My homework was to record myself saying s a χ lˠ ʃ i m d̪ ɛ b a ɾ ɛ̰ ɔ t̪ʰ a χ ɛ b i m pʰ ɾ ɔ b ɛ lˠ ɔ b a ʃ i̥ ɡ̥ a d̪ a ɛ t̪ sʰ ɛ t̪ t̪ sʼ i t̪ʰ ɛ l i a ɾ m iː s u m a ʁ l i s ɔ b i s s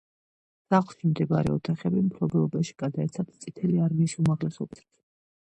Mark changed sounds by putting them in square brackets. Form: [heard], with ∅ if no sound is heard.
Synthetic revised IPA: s a χ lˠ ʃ i m d̪ ɛ b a ɾ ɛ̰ ɔ t̪ʰ a χ ɛ b i m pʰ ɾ ɔ b ɛ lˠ ɔ b a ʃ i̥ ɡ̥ a d̪ a ɛ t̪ sʰ [a] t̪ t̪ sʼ i t̪ʰ ɛ l i a ɾ m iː s u m a ʁ l [ɛ] s ɔ b i s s